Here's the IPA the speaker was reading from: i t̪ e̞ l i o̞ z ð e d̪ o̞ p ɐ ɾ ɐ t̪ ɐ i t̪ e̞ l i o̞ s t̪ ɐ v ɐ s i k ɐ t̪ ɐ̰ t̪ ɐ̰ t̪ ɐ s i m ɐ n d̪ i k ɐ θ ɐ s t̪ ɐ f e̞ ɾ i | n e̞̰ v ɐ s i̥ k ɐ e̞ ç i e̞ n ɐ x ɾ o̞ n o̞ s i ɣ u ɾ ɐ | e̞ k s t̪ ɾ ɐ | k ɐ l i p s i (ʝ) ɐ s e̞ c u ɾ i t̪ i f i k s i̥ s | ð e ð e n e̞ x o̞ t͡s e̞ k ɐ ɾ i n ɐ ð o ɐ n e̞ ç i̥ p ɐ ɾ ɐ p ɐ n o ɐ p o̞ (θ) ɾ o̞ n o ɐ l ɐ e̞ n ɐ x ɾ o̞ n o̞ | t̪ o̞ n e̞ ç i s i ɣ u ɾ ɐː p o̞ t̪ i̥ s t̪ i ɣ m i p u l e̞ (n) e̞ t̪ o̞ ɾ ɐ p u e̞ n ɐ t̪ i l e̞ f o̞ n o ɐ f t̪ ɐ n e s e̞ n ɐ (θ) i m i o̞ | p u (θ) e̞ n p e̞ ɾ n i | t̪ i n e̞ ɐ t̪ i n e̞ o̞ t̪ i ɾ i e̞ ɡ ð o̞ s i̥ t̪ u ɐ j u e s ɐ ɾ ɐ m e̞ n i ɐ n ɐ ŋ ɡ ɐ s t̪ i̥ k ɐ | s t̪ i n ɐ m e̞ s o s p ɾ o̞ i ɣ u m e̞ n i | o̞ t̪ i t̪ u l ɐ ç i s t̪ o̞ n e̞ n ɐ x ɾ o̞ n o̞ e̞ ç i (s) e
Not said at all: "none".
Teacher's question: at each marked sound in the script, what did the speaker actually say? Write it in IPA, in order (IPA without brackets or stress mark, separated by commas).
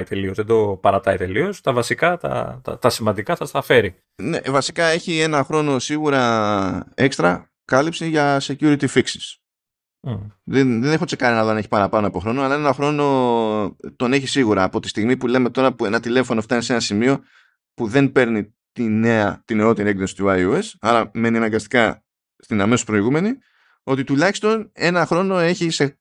ʝ, x, m, s, ð, s